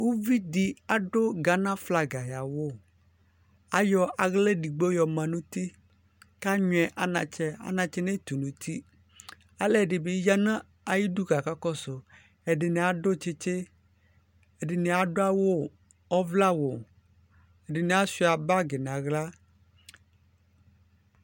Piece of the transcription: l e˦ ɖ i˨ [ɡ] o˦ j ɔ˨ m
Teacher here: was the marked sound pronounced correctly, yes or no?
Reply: no